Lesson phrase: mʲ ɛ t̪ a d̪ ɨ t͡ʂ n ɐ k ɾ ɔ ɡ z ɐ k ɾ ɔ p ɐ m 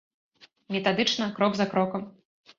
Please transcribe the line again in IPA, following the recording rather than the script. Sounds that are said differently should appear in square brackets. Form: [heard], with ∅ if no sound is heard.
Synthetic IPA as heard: mʲ ɛ t̪ a d̪ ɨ t͡ʂ n ɐ k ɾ ɔ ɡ z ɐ k ɾ ɔ [k] ɐ m

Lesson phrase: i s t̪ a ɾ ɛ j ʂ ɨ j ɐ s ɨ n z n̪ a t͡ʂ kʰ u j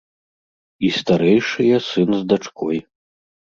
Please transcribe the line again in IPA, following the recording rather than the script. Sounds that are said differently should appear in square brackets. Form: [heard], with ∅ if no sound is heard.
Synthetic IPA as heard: i s t̪ a ɾ ɛ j ʂ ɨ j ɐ s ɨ n z [d̪] a t͡ʂ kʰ [ɔ] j

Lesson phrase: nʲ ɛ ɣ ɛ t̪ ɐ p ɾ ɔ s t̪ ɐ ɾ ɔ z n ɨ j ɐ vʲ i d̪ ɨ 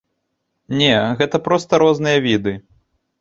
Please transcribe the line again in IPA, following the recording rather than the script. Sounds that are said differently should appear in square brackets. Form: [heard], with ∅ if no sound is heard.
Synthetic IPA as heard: nʲ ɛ ɣ ɛ t̪ ɐ p ɾ ɔ s t̪ ɐ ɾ ɔ z n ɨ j ɐ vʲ i d̪ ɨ

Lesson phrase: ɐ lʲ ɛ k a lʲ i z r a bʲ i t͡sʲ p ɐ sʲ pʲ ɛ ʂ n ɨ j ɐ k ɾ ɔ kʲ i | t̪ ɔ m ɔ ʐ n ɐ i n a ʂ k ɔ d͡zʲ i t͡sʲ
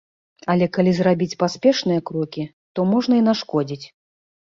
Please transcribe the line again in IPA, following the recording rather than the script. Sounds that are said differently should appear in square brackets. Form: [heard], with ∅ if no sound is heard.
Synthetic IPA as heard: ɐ lʲ ɛ k a lʲ i z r a bʲ i t͡sʲ p [a] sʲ pʲ ɛ ʂ n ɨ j ɐ k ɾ ɔ kʲ i | t̪ ɔ m ɔ ʐ n ɐ i n a ʂ k ɔ d͡zʲ i t͡sʲ

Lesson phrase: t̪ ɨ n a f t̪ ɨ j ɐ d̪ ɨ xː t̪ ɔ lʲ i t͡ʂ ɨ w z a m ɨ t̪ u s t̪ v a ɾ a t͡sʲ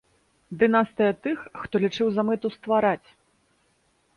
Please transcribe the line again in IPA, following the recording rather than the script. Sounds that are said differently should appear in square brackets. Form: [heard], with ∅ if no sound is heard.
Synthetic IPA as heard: [d̪] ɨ n a [s] t̪ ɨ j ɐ [t̪] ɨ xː t̪ ɔ lʲ i t͡ʂ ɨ w z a m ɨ t̪ u s t̪ v a ɾ a t͡sʲ

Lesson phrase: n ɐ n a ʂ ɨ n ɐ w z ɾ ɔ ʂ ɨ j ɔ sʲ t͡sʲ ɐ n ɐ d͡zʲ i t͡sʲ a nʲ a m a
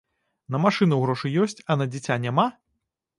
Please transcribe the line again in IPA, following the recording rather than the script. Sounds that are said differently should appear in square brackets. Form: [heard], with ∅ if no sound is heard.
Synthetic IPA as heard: n ɐ [m] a ʂ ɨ n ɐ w [ɣ] ɾ ɔ ʂ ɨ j ɔ sʲ t͡sʲ ɐ n ɐ d͡zʲ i t͡sʲ a nʲ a m a

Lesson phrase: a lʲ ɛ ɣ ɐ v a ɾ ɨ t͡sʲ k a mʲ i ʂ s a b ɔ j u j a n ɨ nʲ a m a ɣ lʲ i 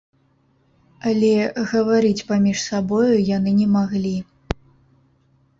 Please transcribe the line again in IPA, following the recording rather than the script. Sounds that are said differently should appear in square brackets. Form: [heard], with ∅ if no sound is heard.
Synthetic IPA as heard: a lʲ ɛ ɣ ɐ v a ɾ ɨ t͡sʲ [p] a mʲ i ʂ s a b ɔ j u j a n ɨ nʲ [ɛ] m a ɣ lʲ i

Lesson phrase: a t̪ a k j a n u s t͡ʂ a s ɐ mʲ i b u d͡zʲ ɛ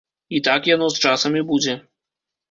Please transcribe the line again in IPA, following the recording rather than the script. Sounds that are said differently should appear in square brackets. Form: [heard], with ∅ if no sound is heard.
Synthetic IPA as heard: [i] t̪ a k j a n [ɔ] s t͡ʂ a s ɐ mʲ i b u d͡zʲ ɛ

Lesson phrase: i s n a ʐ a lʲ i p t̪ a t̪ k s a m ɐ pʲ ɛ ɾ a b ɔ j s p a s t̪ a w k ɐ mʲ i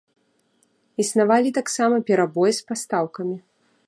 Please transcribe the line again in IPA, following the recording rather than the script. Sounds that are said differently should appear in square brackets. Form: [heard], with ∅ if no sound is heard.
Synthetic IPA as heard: i s n a [v] a lʲ i [∅] t̪ a [∅] k s a m ɐ pʲ ɛ ɾ a b ɔ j s p a s t̪ a w k ɐ mʲ i

